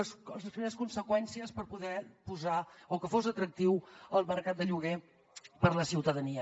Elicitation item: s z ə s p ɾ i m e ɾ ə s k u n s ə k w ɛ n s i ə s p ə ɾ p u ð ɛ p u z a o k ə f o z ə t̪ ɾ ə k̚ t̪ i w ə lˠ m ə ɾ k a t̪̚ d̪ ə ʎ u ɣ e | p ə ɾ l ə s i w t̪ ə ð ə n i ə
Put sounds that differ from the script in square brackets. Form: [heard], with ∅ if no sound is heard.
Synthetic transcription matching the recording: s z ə s p ɾ i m e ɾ ə s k u n s ə k w ɛ n s i ə s p ə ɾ p u ð ɛ p u z a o k ə f o z ə t̪ ɾ ə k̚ t̪ i w ə lˠ m ə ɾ k a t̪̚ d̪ ə ʎ u ɣ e | p ə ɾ l ə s i w t̪ ə ð ə n i ə